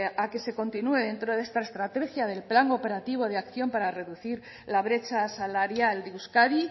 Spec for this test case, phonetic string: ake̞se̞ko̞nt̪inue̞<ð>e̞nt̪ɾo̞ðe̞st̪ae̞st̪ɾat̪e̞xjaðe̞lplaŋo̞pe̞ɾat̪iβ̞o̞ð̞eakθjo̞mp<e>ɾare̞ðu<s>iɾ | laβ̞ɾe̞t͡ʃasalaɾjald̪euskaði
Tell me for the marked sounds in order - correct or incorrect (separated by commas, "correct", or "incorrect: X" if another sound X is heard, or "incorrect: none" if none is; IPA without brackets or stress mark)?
correct, incorrect: a, incorrect: θ